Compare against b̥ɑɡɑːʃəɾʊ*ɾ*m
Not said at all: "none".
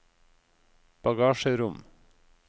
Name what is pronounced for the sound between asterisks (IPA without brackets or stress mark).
none